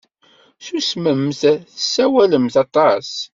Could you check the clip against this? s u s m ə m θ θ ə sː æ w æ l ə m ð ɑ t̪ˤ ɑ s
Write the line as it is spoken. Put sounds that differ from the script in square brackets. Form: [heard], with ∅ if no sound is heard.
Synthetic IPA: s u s m ə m θ θ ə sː æ w æ l ə m [θ] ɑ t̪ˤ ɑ s

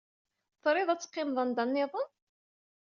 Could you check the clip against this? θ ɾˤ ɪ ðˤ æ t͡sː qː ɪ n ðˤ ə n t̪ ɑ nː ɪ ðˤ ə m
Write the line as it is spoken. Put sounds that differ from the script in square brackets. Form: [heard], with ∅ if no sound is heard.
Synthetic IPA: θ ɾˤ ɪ ðˤ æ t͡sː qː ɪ [m] ðˤ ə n [d̪] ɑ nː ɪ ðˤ ə [n]

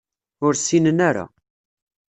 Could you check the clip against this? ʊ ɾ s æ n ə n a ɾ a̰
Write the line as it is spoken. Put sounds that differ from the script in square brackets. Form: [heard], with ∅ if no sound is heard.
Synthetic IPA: ʊ ɾ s [i] n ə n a ɾ a̰

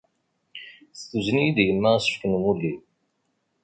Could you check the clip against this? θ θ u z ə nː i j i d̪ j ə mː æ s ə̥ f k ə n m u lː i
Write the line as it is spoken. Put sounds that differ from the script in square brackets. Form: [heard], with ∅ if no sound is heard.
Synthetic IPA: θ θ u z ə [n] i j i d̪ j ə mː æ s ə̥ f k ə n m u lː i

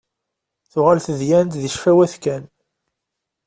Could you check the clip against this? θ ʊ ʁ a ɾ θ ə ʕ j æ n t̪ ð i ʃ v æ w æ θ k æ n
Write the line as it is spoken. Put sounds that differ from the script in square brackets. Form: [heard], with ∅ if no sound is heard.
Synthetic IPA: θ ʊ ʁ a [l] θ ə [ð] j æ n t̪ ð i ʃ [f] æ w æ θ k æ n

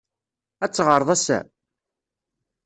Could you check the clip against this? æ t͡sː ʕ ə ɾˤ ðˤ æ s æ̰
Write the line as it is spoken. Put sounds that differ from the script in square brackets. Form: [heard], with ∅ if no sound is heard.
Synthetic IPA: æ t͡sː [ʁ] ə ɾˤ ðˤ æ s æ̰

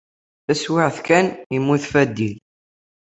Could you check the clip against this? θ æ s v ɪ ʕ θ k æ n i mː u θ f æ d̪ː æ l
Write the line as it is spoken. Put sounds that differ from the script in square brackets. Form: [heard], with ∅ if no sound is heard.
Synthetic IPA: θ æ s [w] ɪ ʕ θ k æ n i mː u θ f æ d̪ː [i] l

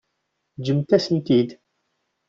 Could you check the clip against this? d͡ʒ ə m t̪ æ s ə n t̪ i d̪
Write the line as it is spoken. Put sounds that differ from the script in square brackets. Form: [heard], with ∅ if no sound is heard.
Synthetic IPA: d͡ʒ ə m t̪ æ s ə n t̪ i d̪

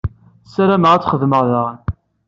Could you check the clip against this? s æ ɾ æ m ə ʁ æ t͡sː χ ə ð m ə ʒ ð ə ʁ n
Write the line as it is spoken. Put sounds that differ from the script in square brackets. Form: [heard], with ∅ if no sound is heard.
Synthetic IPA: s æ ɾ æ m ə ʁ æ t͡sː χ ə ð m ə [ʁ] ð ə ʁ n

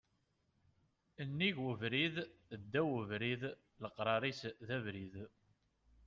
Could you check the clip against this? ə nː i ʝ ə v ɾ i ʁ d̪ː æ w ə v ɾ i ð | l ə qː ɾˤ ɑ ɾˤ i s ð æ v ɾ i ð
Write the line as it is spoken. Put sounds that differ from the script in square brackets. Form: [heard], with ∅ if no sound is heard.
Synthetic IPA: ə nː i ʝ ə v ɾ i [ð] d̪ː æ w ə v ɾ i ð | l ə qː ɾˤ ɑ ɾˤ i s ð æ v ɾ i ð

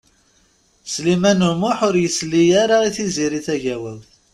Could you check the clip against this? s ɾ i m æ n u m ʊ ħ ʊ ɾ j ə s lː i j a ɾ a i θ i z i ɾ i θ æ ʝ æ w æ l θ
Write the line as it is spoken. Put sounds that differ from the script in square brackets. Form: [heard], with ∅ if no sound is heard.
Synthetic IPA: s [l] i m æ n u m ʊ ħ ʊ ɾ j ə s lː i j a ɾ a i θ i z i ɾ i θ æ ʝ æ w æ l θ

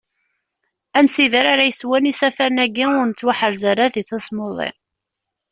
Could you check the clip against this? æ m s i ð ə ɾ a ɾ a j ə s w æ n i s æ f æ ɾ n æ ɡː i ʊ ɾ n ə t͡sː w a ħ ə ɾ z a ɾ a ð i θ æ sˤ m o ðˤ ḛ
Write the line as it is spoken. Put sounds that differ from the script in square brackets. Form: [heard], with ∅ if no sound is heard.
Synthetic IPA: æ m s i ð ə ɾ a ɾ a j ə s w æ n i s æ f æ ɾ n æ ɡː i ʊ ɾ n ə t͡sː w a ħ ə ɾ z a ɾ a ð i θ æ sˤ m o ðˤ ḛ

